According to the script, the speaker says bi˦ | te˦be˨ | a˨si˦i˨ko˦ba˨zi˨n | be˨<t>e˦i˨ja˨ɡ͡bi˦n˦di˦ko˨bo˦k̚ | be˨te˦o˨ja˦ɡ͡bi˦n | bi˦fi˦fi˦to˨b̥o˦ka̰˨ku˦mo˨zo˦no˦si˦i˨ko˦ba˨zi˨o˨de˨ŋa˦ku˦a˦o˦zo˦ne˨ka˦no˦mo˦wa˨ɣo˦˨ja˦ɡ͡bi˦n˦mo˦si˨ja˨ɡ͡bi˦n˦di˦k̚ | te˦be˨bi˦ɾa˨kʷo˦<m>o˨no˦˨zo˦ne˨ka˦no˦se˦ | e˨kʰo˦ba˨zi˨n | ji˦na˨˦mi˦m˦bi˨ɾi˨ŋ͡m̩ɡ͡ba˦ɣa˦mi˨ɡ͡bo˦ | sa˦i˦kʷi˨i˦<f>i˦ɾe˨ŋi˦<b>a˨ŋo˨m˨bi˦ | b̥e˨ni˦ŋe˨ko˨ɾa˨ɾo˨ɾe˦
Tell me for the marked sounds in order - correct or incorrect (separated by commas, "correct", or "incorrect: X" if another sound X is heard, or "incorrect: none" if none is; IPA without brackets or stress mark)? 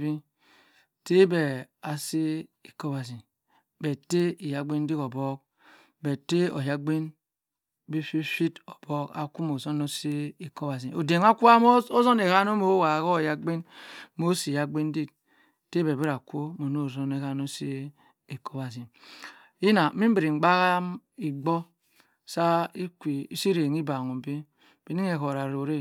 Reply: correct, correct, incorrect: s, correct